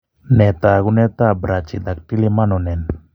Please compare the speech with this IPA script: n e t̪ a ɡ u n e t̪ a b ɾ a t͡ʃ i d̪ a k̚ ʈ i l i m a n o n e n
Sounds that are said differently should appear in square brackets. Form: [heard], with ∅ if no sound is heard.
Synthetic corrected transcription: n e t̪ a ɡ u n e t̪ a b ɾ a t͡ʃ i d̪ a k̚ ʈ i l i m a n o n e n

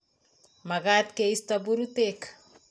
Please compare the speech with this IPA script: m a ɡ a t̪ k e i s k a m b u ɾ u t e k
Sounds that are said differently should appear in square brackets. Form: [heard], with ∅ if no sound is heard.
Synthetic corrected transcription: m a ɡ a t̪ k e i s [t] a [∅] b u ɾ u t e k

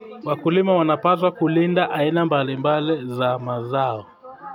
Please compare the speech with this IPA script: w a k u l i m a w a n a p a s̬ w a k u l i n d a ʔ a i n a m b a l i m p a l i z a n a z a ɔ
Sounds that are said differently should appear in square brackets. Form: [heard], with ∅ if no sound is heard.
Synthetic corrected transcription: w a k u l i m a w a n a p a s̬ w a k u l i n d a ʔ a i n a m b a l i m [b] a l i z a [m] a z a ɔ

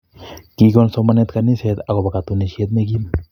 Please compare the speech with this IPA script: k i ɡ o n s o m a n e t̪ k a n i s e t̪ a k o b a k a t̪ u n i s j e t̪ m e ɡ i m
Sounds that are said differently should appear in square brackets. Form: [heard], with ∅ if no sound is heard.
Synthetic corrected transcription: k i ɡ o n s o m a n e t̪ k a n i s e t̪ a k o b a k a t̪ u n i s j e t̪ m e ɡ i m

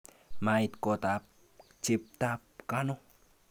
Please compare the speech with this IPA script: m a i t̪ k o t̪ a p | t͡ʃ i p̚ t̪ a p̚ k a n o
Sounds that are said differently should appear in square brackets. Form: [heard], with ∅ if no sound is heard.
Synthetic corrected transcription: m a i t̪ k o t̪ a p | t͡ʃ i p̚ t̪ a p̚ k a n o

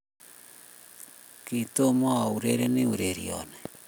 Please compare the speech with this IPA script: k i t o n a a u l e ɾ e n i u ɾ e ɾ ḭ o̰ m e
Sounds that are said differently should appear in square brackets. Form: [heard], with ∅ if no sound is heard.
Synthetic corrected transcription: k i t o [m] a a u [ɾ] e ɾ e n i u ɾ e ɾ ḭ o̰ [n] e

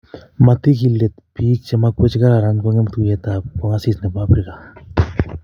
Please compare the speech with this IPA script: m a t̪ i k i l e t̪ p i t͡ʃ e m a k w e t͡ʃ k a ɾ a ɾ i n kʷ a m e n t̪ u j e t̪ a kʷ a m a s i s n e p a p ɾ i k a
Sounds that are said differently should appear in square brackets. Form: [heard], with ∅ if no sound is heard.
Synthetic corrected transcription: m a t̪ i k i l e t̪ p i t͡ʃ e m a k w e t͡ʃ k a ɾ a ɾ [a] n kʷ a [ŋ] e [m] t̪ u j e t̪ a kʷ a [ŋ] a s i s n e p a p ɾ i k a

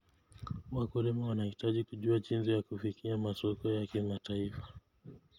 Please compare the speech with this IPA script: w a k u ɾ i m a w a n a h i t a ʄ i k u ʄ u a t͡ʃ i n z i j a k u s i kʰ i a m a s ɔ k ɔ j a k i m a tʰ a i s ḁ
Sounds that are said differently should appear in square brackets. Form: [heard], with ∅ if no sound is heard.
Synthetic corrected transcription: w a k u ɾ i m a w a n a h i t a ʄ i k u ʄ u a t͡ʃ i n z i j a k u [f] i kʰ i a m a s ɔ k ɔ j a k i m a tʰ a i [f] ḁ

